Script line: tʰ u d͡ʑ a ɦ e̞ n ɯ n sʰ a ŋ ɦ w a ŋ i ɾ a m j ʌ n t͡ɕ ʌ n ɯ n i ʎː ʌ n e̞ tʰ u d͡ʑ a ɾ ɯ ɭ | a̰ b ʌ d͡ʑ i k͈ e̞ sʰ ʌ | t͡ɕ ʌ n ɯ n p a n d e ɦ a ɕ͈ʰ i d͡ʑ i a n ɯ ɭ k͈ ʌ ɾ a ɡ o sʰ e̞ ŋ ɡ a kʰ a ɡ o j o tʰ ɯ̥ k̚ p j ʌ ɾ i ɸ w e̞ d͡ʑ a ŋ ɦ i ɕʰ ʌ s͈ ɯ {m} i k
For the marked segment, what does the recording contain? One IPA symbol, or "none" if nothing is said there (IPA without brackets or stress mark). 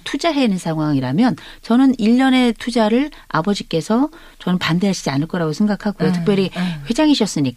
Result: ɲ